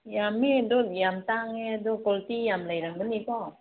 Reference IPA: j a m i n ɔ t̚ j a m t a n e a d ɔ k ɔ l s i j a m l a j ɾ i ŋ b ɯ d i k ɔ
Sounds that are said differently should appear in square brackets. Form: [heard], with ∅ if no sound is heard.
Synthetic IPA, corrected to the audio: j a m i [d] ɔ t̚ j a m t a [ŋ] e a d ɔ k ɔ l [t] i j a m l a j ɾ [a] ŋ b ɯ [n] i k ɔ